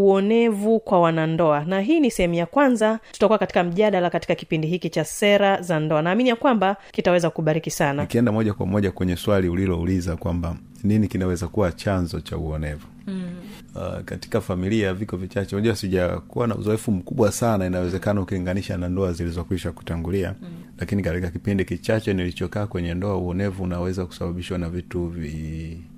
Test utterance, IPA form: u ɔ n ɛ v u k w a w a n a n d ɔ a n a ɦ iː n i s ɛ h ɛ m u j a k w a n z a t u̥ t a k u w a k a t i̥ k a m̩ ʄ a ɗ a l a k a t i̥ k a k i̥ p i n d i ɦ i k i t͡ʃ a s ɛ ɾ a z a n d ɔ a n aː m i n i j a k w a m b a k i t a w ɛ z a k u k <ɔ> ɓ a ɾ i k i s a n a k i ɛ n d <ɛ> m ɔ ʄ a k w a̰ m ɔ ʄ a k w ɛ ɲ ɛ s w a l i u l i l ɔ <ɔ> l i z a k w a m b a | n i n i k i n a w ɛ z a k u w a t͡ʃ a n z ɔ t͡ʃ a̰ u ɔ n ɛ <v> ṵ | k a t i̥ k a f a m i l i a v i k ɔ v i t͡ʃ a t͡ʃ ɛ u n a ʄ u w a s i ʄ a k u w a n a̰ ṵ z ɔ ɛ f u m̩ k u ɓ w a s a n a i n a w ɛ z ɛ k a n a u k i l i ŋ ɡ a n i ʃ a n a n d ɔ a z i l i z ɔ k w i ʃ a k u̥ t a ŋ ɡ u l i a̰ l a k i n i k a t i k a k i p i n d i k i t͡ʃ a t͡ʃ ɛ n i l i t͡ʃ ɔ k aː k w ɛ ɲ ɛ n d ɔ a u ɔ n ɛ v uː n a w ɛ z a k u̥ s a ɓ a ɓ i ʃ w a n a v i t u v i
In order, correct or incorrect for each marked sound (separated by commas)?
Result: incorrect, incorrect, incorrect, correct